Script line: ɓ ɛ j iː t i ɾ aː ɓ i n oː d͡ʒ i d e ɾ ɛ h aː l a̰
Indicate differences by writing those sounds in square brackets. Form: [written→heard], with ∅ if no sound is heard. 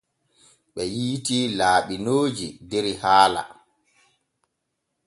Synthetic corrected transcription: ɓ ɛ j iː t i [ɾ→l] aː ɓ i n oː d͡ʒ i d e ɾ [ɛ→i] h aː l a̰

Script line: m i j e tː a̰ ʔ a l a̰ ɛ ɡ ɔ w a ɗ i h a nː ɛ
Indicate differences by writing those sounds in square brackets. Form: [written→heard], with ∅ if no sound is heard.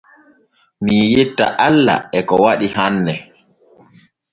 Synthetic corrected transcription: m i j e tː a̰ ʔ a [l→lː] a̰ ɛ [ɡ→k] ɔ w a ɗ i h a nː ɛ

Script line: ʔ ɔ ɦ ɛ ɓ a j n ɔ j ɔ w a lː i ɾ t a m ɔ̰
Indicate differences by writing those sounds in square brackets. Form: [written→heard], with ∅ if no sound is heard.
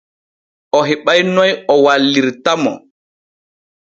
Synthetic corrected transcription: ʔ ɔ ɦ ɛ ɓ a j n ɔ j ɔ w a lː i ɾ t a m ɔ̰

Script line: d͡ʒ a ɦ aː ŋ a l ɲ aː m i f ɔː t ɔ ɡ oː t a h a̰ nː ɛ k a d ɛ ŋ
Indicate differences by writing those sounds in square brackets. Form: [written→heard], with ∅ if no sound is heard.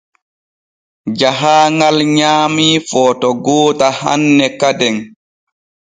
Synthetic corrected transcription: d͡ʒ a ɦ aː ŋ a l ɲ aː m i f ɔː t ɔ ɡ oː t a h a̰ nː ɛ k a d ɛ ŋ

